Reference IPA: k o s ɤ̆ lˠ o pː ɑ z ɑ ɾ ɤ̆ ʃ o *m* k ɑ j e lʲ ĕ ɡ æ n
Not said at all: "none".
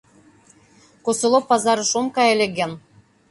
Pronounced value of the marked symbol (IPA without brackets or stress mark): m